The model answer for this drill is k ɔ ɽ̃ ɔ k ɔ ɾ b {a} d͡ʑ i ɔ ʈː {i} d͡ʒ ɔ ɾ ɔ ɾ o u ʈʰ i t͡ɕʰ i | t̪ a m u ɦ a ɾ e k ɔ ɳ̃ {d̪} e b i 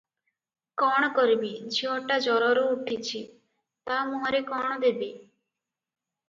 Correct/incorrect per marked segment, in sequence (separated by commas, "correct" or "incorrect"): incorrect, incorrect, correct